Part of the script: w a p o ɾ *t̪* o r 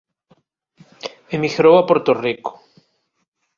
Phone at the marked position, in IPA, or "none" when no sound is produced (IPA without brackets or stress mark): t̪